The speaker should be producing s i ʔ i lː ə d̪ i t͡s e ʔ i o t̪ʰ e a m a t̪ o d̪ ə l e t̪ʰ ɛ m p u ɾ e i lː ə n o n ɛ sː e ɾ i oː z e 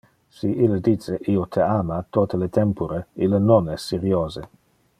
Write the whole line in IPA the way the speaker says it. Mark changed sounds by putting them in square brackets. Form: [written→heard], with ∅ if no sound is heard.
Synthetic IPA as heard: s i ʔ i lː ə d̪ i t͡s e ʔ i o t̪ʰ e a m a t̪ o [d̪→t̪] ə l e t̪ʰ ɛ m p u ɾ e i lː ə n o n ɛ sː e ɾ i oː z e